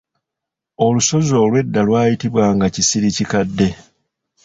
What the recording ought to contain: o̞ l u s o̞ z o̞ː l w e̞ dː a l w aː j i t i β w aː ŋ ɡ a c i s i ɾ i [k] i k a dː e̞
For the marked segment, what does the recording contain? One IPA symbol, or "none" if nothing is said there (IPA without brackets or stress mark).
c